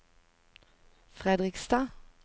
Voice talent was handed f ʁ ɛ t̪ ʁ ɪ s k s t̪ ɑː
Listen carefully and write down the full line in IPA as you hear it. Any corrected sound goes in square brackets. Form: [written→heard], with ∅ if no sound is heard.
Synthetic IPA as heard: f ʁ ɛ [t̪→d̪] ʁ ɪ [s→∅] k s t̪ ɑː